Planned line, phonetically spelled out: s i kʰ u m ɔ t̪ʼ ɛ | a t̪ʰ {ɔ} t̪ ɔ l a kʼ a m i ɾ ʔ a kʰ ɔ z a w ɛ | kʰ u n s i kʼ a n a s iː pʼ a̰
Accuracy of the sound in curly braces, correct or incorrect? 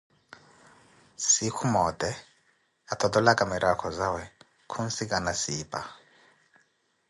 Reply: correct